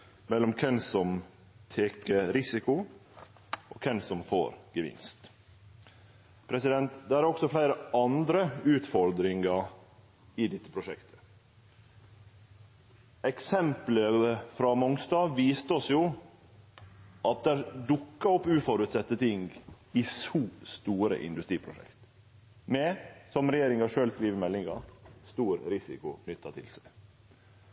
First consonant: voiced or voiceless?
voiced